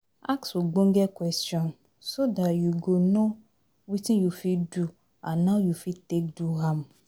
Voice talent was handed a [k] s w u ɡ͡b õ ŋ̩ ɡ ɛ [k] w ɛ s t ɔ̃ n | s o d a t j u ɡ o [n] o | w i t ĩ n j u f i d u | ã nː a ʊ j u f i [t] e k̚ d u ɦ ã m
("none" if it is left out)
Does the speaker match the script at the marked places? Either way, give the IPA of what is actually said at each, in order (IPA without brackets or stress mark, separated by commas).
k, k, n, t